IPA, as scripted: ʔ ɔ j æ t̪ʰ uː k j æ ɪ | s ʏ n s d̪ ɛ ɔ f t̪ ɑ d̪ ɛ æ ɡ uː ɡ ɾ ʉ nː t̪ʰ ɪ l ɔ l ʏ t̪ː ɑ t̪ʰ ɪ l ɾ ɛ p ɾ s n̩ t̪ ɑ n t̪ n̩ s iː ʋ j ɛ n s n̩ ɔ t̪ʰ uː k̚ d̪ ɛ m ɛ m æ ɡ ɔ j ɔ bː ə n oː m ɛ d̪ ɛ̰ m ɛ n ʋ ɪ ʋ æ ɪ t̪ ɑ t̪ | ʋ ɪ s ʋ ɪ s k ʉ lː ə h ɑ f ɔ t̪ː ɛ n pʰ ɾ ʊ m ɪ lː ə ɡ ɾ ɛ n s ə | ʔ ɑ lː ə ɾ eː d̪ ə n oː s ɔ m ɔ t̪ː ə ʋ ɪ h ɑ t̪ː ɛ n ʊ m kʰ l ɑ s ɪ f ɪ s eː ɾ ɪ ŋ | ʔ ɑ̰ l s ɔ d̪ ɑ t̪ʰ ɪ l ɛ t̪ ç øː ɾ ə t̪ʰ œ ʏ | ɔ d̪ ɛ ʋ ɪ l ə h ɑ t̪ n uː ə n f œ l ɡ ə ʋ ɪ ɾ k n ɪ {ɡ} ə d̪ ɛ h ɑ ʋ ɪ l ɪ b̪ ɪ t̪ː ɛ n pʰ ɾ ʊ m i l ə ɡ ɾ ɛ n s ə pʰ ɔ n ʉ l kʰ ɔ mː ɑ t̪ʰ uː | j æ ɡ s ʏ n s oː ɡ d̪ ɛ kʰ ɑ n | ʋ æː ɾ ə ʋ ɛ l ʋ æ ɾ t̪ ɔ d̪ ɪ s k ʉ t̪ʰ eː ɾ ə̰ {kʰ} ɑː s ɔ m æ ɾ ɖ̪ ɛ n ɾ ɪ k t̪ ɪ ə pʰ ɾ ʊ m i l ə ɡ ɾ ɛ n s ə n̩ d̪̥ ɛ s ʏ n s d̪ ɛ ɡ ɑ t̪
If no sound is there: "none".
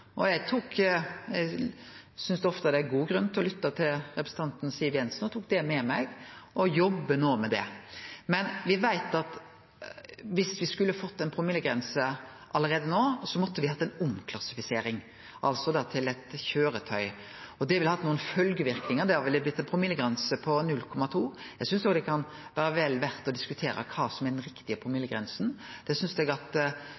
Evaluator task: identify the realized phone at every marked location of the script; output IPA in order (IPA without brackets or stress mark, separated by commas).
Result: ŋ, kʰ